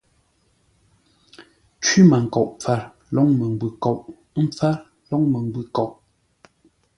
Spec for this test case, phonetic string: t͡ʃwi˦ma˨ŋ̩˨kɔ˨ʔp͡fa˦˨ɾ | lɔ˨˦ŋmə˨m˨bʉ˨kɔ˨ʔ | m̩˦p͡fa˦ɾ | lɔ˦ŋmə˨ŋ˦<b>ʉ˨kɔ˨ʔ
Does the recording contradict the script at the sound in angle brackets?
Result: no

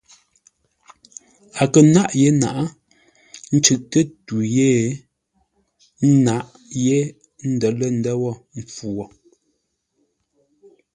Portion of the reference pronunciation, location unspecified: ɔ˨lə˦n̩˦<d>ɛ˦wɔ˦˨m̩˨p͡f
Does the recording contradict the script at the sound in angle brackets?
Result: no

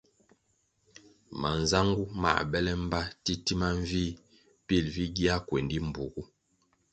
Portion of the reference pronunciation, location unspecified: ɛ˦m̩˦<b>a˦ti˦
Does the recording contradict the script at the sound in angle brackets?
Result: no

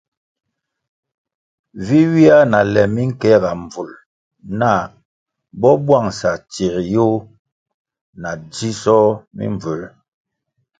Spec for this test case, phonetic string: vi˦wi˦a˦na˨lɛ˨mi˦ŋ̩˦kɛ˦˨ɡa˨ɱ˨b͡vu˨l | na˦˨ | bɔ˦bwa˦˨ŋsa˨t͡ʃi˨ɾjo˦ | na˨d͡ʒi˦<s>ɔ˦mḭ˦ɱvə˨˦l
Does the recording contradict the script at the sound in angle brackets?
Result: no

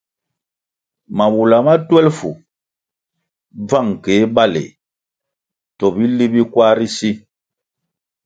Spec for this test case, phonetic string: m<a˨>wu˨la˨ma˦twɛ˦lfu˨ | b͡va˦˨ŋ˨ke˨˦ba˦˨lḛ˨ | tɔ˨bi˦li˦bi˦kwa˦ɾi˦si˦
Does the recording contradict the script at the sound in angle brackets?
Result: no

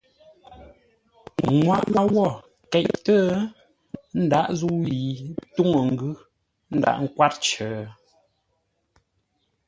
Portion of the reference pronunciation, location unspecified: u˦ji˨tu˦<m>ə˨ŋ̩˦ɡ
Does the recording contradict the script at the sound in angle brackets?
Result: yes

